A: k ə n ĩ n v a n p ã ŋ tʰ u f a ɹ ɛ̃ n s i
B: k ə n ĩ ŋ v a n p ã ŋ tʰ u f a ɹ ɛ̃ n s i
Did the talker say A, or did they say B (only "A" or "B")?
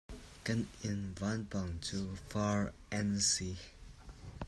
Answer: A